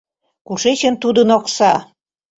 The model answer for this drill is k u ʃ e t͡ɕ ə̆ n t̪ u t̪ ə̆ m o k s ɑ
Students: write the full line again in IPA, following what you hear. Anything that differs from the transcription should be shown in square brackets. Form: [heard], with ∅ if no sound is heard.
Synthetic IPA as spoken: k u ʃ e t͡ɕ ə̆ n t̪ u [d̪] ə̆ [n] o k s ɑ